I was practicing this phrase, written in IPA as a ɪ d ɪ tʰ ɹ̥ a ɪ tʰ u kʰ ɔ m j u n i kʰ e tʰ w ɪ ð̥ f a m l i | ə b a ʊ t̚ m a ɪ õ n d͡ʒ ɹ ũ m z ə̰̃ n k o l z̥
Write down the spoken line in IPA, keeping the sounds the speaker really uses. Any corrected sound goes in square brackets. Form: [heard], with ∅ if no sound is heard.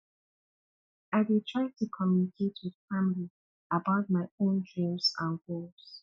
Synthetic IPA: a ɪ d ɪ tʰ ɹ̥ a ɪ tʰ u kʰ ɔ m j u n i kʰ e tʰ w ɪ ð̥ f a m l i | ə b a ʊ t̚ m a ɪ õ n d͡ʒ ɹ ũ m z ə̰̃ n [ɡ] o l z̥